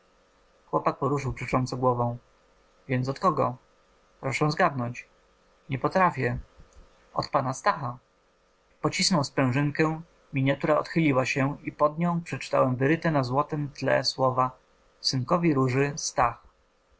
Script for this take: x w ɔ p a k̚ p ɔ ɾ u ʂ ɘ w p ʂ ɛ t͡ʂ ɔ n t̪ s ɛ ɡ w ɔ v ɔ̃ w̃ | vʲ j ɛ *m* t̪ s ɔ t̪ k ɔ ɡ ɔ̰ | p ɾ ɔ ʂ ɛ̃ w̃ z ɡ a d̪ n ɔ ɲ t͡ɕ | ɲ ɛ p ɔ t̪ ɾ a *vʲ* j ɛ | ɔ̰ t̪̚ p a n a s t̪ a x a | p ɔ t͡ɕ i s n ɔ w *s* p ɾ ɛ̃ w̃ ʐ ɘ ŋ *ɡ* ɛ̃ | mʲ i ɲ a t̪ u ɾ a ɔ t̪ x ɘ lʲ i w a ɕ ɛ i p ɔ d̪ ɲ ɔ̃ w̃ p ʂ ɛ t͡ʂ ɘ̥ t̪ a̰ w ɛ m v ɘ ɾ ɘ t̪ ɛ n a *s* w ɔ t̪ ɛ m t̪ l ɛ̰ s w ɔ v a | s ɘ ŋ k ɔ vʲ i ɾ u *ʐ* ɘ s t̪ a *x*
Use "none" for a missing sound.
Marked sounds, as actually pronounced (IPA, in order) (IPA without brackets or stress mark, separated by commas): n, fʲ, s, k, z, ʐ, x